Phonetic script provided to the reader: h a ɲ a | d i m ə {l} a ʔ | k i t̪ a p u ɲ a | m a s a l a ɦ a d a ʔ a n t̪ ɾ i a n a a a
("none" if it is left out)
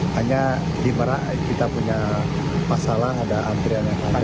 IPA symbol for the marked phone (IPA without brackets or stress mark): ɾ